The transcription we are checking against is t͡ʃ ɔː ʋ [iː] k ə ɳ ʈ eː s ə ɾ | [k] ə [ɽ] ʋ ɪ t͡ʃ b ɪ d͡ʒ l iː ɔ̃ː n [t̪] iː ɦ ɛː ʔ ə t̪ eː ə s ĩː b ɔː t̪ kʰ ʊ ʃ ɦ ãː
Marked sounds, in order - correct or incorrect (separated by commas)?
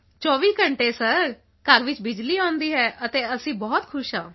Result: correct, correct, incorrect, incorrect